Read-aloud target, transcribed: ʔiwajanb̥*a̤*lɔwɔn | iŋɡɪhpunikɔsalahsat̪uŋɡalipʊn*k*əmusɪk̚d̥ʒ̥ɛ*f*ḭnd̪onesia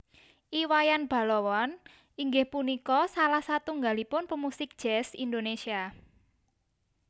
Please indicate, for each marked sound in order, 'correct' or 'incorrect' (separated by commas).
correct, incorrect, incorrect